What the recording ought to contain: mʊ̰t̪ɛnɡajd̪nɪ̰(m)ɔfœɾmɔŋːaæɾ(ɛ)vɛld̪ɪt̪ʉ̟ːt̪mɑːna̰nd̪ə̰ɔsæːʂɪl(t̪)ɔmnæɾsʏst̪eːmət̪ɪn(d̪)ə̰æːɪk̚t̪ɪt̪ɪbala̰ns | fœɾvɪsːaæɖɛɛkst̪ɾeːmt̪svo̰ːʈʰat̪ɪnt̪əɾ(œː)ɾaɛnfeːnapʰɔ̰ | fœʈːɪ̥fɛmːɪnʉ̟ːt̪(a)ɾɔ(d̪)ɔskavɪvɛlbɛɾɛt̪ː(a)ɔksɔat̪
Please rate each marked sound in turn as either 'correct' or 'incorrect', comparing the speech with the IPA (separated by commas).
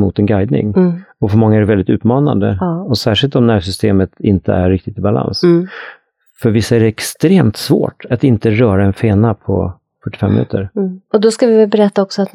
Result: incorrect, correct, correct, incorrect, correct, incorrect, correct, correct